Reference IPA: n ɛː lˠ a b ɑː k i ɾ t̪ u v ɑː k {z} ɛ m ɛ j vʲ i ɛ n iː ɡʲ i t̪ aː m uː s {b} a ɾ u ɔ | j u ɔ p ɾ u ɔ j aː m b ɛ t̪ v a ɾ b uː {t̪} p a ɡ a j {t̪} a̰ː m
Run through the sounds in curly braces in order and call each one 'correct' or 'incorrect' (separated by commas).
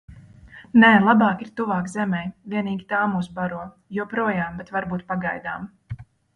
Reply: correct, correct, correct, incorrect